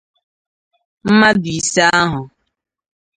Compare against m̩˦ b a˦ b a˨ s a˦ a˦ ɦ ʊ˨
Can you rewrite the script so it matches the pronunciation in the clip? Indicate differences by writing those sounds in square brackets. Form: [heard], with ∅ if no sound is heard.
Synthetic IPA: m̩˦ [m] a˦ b [i˨] s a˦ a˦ ɦ ʊ˨